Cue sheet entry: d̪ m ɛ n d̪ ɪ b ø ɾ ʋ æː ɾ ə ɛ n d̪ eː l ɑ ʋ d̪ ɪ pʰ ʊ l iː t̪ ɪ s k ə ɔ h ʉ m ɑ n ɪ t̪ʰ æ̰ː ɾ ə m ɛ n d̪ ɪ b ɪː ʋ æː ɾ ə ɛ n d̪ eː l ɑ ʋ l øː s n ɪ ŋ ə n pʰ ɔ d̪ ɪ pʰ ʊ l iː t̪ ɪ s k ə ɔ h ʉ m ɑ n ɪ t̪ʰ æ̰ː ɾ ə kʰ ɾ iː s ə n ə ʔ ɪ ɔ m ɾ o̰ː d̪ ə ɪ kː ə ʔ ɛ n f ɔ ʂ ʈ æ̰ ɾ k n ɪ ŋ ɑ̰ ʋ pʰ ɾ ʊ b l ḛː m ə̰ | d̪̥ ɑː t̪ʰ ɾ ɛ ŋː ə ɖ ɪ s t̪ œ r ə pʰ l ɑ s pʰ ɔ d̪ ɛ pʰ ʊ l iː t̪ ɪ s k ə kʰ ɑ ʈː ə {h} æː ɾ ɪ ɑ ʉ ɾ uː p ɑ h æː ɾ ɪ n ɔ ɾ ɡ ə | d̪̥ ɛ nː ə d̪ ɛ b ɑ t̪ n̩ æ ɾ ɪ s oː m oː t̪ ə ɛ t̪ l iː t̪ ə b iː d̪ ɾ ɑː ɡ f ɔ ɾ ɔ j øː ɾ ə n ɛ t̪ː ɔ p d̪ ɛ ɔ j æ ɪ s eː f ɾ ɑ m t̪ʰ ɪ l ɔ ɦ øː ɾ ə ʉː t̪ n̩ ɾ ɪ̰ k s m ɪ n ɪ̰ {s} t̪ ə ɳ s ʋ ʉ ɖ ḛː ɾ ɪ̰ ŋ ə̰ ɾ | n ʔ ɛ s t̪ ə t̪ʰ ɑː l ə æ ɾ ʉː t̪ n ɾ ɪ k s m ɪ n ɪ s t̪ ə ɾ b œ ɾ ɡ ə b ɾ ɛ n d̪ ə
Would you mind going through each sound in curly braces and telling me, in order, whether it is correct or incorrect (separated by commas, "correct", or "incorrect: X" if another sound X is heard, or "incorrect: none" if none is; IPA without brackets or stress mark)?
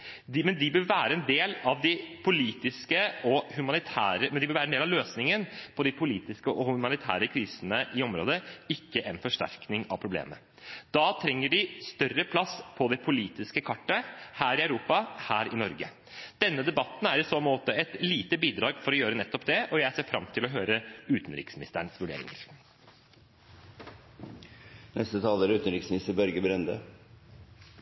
correct, correct